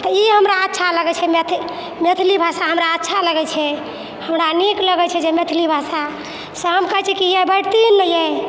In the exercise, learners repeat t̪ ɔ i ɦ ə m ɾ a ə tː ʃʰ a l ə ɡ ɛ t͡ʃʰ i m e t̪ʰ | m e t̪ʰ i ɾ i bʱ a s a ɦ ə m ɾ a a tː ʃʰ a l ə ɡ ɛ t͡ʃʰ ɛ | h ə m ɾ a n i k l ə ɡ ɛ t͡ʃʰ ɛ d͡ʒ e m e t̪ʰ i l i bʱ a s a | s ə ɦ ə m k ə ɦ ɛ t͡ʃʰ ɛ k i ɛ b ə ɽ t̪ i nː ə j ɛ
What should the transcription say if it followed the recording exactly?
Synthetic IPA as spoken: t̪ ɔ i ɦ ə m ɾ a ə tː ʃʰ a l ə ɡ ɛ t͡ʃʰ ɛ m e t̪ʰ | m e t̪ʰ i l i bʱ a s a ɦ ə m ɾ a ə tː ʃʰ a l ə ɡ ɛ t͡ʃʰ ɛ | h ə m ɾ a n i k l ə ɡ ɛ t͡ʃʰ ɛ d͡ʒ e m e t̪ʰ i l i bʱ a s a | s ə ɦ ə m k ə ɦ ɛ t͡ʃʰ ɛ k i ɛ b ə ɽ t̪ i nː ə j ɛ